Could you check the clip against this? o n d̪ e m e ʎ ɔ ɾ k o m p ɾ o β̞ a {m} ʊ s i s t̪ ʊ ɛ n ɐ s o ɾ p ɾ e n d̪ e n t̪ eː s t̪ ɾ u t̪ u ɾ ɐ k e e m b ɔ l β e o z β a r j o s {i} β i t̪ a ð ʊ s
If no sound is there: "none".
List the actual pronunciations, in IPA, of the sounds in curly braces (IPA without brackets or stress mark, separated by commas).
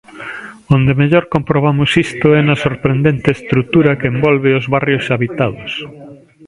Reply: m, a